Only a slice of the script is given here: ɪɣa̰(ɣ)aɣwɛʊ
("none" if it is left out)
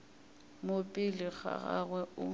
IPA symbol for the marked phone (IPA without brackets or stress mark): ɣ